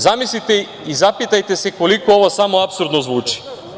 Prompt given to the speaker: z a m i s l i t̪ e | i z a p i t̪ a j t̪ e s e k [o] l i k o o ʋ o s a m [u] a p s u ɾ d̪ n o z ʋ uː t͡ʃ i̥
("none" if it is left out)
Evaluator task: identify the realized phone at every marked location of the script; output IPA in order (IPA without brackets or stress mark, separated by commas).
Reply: o, o